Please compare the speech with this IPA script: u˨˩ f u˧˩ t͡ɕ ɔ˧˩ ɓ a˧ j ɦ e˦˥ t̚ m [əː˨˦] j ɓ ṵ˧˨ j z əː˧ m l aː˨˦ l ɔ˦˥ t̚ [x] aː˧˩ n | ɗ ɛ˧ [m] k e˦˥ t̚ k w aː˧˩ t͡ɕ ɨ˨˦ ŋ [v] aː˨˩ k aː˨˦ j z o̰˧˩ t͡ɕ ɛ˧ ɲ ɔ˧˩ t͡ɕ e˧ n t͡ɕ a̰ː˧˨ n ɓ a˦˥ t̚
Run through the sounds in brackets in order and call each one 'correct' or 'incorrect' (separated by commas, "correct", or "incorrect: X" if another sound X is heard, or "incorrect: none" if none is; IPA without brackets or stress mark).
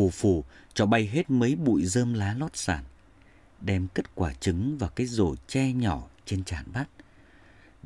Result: incorrect: ə˨˦, incorrect: s, correct, correct